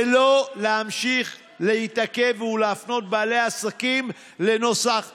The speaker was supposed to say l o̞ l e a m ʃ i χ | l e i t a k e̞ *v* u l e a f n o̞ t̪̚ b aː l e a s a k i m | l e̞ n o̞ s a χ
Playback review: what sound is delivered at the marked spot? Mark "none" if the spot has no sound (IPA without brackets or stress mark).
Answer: v